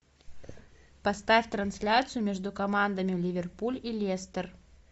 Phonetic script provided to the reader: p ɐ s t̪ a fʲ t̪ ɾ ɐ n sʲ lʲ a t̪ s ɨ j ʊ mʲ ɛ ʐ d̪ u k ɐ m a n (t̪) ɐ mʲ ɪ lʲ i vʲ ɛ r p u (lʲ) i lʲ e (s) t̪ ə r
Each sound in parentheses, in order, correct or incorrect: incorrect: d̪, correct, correct

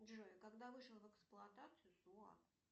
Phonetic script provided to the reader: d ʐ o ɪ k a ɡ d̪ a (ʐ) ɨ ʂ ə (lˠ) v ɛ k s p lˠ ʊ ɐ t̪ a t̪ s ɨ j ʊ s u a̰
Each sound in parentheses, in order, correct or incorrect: incorrect: v, correct

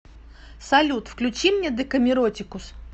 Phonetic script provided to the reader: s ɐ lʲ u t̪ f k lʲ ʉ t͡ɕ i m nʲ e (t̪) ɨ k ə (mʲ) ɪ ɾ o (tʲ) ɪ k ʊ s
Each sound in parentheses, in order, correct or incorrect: incorrect: d̪, correct, correct

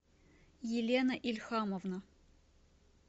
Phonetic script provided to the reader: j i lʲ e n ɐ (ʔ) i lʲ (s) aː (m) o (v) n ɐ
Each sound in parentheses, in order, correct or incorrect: correct, incorrect: x, correct, correct

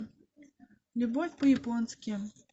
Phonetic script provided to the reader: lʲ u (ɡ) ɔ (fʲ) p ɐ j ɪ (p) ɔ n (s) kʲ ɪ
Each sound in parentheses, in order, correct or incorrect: incorrect: b, correct, correct, correct

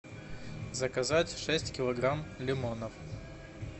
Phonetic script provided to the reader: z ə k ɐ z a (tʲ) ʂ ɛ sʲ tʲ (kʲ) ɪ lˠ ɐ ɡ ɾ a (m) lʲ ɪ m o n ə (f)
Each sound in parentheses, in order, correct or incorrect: correct, correct, correct, correct

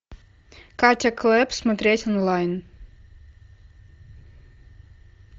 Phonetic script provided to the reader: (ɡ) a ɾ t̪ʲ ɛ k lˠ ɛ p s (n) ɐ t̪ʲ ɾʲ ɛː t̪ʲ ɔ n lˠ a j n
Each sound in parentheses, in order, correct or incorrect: incorrect: k, incorrect: m

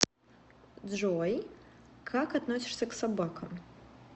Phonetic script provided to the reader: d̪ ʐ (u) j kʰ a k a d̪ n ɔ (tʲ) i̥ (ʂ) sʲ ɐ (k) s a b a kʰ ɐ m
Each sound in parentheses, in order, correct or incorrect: incorrect: ɔ, incorrect: sʲ, correct, correct

